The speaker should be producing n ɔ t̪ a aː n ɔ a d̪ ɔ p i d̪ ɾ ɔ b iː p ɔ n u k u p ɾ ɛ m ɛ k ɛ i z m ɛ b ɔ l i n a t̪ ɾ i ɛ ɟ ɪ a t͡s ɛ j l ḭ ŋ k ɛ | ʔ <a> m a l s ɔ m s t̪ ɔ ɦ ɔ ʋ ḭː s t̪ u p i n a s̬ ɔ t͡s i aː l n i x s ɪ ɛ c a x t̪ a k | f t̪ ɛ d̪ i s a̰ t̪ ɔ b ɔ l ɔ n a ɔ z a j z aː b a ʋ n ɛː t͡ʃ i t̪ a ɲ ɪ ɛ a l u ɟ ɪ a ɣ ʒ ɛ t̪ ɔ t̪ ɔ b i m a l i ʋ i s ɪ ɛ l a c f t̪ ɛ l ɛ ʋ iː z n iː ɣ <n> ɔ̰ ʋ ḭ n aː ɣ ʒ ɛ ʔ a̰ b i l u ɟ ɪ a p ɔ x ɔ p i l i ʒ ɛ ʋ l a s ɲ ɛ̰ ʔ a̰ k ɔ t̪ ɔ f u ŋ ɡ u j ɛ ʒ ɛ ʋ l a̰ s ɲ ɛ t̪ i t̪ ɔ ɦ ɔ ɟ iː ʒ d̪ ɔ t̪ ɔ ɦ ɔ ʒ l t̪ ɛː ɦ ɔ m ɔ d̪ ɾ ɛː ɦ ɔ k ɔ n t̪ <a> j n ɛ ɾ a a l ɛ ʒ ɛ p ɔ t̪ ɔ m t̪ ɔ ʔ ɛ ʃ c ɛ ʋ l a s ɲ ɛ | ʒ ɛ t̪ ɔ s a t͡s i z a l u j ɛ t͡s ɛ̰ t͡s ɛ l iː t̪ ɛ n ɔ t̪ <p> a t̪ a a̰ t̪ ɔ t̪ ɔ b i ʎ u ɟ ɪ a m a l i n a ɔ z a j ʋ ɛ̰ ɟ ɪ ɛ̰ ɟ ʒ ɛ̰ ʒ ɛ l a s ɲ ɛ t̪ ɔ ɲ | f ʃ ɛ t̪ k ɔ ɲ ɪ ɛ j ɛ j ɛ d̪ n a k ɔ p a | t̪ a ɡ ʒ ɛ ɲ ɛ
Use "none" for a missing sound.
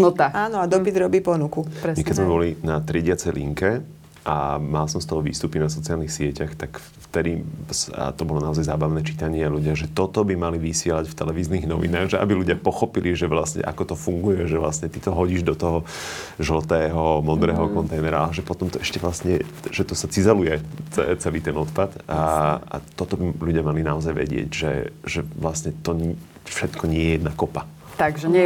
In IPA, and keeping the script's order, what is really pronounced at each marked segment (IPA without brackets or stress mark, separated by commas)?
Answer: a, n, ɛ, p